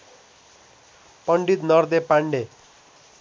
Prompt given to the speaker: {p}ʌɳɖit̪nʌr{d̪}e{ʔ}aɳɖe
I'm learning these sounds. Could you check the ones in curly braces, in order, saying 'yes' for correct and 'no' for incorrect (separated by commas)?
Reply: yes, yes, no